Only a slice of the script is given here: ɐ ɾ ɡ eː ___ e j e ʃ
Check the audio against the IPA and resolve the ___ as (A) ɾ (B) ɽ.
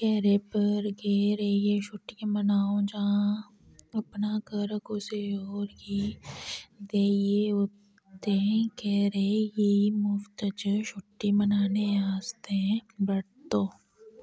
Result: A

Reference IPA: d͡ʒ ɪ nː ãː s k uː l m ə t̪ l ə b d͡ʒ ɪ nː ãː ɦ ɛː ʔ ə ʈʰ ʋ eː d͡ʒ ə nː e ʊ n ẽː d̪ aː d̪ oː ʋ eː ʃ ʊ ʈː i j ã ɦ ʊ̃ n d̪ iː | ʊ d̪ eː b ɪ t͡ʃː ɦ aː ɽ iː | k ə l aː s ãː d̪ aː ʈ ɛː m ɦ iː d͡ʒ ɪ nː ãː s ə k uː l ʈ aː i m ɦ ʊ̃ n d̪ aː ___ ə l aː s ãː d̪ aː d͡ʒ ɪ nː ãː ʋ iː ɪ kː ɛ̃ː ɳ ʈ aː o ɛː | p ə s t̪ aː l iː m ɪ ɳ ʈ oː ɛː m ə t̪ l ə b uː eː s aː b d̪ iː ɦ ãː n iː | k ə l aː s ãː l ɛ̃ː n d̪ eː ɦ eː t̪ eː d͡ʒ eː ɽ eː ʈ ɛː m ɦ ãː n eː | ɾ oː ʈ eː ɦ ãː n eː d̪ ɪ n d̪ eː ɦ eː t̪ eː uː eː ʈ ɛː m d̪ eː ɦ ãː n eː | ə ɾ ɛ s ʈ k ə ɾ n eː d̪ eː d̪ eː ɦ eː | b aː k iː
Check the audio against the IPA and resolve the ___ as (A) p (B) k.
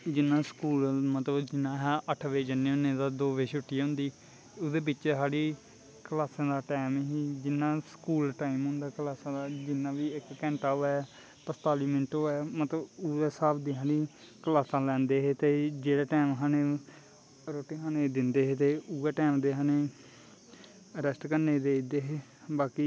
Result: B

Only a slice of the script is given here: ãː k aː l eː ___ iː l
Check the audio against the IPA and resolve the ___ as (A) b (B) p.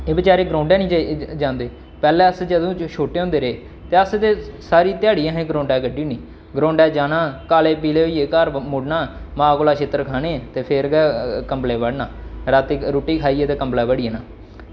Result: B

